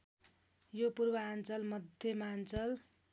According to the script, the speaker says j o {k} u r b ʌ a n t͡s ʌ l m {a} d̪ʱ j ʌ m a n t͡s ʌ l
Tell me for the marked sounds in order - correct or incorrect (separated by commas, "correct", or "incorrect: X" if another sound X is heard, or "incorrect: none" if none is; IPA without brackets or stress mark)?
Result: incorrect: p, incorrect: ʌ